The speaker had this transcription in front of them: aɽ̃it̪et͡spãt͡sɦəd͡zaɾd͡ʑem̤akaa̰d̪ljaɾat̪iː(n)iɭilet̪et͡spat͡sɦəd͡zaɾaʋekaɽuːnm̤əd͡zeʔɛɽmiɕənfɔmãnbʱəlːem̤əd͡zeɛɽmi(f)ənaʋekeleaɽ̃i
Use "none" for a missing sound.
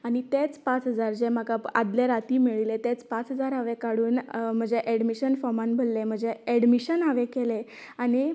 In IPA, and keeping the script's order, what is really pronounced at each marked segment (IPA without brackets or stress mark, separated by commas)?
m, ɕ